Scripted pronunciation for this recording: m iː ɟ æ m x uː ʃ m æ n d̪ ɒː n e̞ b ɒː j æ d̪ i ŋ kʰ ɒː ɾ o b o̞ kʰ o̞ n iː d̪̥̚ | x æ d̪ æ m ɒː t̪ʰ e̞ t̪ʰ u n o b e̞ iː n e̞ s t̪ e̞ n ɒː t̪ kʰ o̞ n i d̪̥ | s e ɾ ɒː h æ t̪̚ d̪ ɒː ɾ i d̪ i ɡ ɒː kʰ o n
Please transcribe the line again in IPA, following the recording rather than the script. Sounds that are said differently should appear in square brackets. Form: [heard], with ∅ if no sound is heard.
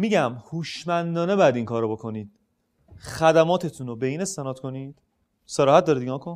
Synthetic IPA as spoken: m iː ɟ æ m [h] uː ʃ m æ n d̪ ɒː n e̞ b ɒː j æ d̪ i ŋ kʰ ɒː ɾ o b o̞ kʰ o̞ n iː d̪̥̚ | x æ d̪ æ m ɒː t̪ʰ e̞ t̪ʰ u n o b e̞ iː n e̞ s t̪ e̞ n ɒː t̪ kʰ o̞ n i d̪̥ | s e ɾ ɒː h æ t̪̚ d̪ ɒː ɾ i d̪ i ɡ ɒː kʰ o n